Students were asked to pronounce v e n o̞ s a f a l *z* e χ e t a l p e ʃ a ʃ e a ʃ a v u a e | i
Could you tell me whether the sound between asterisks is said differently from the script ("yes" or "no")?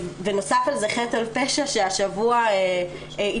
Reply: no